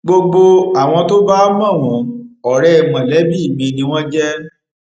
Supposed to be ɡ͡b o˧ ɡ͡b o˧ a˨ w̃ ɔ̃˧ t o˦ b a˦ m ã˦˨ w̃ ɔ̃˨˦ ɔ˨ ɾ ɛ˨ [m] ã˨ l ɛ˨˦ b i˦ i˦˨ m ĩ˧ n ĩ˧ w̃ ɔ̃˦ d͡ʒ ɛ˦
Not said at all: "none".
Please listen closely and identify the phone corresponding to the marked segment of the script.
m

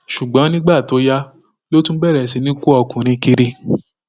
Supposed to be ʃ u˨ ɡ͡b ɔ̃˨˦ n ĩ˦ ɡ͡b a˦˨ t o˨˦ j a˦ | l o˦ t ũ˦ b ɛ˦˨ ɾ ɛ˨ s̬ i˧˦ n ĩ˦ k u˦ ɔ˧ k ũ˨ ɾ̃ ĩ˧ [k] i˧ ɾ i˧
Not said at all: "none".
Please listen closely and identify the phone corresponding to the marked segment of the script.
k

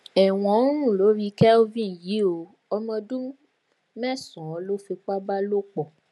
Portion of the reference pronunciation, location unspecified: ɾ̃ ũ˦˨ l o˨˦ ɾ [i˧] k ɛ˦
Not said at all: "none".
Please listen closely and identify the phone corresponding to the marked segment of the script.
i˧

